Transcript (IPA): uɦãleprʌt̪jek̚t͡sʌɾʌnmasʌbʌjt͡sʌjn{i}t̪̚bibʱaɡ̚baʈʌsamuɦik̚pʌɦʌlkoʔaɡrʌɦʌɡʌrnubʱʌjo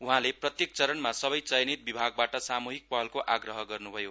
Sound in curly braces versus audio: correct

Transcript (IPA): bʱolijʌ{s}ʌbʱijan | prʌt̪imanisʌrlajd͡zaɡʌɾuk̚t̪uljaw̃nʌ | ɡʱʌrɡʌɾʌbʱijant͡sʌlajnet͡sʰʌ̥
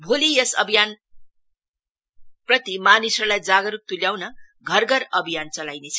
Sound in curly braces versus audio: correct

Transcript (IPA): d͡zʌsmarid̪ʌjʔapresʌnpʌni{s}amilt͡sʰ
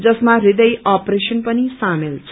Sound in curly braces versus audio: correct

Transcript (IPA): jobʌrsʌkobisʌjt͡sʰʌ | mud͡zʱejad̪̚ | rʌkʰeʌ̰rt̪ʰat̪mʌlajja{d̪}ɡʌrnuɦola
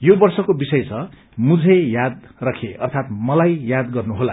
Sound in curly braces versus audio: correct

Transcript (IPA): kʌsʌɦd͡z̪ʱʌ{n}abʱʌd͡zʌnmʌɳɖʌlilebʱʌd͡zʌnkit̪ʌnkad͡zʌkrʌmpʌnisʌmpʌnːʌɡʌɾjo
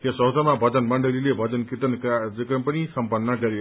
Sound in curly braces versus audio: incorrect: m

